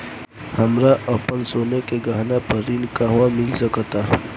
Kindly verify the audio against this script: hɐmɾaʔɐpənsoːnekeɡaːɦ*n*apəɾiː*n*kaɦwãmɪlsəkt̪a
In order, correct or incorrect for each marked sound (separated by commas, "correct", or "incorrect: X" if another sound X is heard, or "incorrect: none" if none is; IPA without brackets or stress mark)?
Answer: correct, correct